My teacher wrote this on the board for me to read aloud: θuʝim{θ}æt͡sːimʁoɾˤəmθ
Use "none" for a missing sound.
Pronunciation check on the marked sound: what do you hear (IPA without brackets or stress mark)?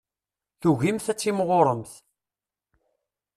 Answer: θ